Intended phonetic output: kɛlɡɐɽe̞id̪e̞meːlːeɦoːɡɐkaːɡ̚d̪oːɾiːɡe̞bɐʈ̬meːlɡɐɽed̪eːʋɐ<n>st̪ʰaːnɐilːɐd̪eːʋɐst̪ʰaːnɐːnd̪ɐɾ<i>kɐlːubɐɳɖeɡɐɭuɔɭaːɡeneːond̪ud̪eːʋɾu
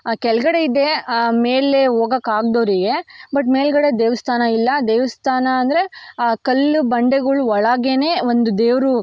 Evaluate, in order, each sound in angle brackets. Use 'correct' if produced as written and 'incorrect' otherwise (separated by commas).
incorrect, incorrect